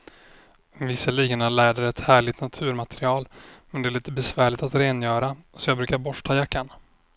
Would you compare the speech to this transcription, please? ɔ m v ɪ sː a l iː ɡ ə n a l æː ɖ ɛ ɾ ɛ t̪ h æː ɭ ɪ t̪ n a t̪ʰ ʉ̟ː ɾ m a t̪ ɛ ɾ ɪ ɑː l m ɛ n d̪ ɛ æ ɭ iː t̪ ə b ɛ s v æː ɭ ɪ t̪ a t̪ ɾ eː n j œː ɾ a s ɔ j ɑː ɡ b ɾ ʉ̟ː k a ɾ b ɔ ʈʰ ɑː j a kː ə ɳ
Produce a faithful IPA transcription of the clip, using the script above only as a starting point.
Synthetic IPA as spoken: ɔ m v ɪ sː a l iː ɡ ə n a l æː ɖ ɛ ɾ ɛ t̪ h æː ɭ ɪ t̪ n a t̪ʰ ʉ̟ː ɾ m a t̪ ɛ ɾ ɪ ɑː l m ɛ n d̪ ɛ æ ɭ iː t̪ ə b ɛ s v æː ɭ ɪ t̪ a t̪ ɾ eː n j œː ɾ a s ɔ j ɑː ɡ b ɾ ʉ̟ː k a ɾ b ɔ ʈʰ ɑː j a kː a ɳ